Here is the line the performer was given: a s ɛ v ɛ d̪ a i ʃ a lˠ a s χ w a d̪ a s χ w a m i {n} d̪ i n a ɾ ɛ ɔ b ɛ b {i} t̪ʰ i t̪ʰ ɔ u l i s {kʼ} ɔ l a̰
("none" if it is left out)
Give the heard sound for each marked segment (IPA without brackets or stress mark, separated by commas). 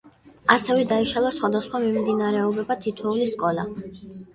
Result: m, a, kʼ